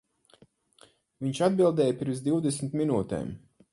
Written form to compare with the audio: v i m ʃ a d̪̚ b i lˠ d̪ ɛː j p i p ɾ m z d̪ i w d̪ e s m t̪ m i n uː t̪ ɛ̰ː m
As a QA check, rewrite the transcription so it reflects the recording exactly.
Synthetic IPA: v i ɲ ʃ a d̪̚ b i lˠ d̪ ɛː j p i ɾ m z d̪ i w d̪ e s m t̪ m i n uː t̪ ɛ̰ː m